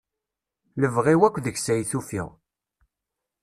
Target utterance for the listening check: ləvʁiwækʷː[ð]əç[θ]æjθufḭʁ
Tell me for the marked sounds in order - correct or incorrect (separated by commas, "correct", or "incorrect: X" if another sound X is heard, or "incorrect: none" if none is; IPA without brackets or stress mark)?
correct, incorrect: s